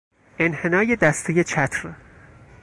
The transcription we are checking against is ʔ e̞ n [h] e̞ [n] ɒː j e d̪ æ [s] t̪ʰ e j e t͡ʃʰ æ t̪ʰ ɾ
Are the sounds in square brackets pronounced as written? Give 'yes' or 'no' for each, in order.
yes, yes, yes

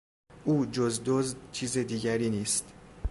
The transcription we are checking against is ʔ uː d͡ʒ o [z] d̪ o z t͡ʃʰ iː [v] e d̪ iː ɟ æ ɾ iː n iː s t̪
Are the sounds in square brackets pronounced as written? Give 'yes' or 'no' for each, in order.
yes, no

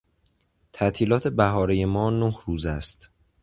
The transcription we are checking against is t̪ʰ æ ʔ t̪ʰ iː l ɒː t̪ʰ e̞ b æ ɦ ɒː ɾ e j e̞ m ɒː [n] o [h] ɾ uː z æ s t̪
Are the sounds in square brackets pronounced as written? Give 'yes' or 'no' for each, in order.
yes, yes

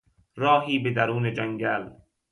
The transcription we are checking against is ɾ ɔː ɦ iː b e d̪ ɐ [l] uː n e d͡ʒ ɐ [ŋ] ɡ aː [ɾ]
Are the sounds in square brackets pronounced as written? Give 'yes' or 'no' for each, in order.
no, yes, no

